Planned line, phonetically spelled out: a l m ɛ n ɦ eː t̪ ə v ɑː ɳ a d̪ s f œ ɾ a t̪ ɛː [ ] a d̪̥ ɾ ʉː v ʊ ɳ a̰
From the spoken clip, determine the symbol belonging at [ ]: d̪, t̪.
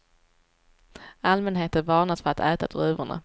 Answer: t̪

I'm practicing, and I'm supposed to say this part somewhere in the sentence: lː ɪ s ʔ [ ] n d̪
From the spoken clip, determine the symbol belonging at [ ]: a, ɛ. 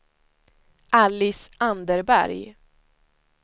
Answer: a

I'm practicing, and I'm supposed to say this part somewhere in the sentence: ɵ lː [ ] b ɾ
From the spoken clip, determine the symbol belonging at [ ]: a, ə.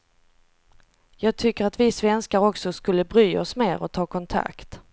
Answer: ə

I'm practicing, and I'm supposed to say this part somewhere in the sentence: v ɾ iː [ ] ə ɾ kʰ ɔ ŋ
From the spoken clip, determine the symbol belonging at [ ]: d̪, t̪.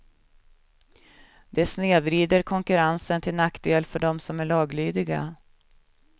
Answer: d̪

